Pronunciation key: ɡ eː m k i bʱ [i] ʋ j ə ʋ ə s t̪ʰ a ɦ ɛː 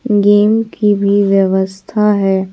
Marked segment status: correct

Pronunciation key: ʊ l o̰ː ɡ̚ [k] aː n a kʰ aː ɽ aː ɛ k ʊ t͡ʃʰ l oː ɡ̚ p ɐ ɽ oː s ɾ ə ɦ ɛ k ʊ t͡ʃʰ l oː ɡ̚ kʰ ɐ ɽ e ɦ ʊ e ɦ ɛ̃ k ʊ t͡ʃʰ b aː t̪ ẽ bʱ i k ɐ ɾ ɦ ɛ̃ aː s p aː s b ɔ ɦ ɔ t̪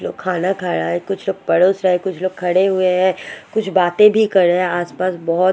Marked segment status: incorrect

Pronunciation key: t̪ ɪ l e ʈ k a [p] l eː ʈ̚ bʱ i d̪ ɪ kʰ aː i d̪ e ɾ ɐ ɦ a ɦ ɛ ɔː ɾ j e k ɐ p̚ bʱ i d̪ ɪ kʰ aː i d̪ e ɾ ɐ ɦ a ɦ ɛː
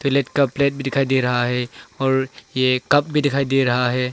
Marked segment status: correct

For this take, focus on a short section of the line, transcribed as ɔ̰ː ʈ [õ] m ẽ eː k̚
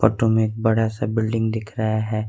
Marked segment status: incorrect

